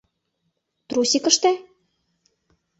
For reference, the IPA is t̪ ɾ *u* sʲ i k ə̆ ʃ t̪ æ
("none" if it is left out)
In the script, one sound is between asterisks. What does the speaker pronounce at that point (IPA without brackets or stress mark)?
u